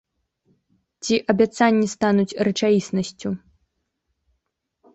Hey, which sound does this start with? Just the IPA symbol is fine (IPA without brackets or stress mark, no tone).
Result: t͡sʲ